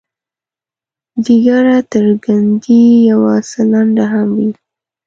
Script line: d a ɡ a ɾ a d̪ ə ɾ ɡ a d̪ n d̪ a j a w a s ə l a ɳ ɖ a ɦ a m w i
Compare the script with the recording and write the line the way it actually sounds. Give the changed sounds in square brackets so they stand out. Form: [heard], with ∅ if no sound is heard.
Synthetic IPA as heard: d [i] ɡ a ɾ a [t̪] ə ɾ ɡ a [∅] n d̪ [i] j a w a s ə l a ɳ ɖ a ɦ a m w i